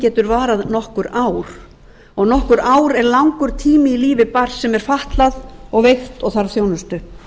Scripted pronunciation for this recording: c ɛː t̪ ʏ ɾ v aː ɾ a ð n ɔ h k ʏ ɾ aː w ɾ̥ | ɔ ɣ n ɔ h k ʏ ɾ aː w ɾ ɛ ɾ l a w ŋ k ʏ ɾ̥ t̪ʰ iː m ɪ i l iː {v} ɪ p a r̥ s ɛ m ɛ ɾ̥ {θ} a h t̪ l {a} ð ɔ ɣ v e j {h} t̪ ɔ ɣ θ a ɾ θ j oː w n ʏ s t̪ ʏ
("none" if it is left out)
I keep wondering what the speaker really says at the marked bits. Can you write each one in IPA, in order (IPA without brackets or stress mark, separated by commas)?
v, f, a, x